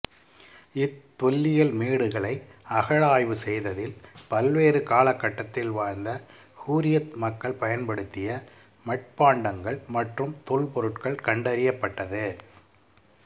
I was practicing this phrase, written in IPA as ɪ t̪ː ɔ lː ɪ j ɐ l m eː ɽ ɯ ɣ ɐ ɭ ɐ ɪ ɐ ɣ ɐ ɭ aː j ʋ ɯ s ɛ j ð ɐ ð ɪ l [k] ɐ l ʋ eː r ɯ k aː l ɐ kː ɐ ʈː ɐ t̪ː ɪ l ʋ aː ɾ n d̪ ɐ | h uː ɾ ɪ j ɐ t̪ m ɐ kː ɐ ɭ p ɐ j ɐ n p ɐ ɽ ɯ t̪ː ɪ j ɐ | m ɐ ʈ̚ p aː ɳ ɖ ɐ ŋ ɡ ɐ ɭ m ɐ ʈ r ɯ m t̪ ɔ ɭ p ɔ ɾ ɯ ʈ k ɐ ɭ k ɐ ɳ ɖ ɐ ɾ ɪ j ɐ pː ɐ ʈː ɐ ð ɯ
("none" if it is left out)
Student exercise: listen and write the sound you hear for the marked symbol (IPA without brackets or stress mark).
p